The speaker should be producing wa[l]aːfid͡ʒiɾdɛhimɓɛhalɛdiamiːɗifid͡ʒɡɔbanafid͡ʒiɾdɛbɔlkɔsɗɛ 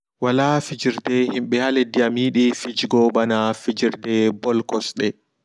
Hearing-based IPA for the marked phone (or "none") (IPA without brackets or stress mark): l